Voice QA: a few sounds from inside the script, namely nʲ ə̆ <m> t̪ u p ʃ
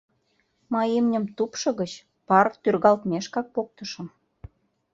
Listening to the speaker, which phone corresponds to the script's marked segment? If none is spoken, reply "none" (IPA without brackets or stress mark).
m